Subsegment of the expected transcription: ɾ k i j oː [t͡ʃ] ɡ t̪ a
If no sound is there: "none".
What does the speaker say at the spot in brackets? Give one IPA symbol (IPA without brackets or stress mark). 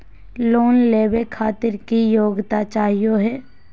none